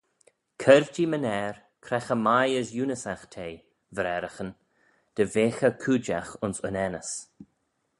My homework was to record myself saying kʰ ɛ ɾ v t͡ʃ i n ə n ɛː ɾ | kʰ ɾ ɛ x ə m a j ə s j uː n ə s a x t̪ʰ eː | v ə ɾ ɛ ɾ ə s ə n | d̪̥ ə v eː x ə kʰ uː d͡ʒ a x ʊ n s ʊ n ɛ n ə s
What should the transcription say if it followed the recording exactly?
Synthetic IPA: kʰ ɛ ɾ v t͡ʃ i m ə n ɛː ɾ | kʰ ɾ ɛ x ə m a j ə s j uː n ə s a x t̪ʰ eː | v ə ɾ ɛ ɾ ə x ə n | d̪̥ ə v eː x ə kʰ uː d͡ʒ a x ʊ n s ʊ n ɛ n ə s